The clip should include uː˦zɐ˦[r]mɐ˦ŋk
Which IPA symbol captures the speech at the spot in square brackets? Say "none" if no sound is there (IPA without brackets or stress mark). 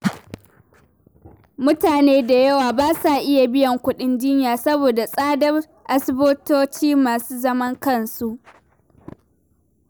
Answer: none